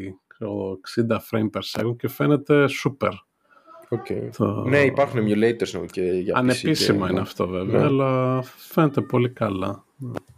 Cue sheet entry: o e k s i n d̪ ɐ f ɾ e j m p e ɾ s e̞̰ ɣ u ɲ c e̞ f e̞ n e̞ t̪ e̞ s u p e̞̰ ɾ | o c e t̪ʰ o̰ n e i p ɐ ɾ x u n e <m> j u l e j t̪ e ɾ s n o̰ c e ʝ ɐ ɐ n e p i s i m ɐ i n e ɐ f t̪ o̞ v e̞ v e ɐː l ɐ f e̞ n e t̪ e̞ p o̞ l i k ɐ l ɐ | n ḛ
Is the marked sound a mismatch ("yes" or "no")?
no